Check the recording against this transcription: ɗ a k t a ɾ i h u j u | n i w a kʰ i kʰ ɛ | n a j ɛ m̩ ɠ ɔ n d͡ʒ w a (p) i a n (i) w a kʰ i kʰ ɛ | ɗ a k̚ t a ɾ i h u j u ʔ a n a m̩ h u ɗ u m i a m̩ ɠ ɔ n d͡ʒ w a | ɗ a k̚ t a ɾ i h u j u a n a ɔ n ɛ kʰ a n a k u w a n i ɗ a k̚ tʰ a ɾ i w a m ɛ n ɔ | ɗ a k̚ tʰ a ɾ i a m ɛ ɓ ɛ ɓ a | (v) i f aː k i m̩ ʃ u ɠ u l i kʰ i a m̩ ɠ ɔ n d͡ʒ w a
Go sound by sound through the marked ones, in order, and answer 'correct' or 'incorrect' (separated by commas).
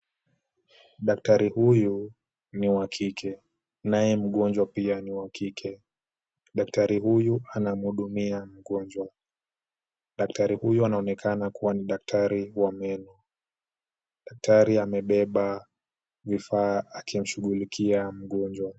correct, correct, correct